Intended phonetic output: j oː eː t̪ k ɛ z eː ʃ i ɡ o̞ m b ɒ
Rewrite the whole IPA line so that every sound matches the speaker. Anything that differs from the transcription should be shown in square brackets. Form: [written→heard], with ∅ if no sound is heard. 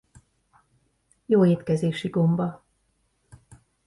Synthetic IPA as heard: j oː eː t̪ k ɛ z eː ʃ i ɡ o̞ m b ɒ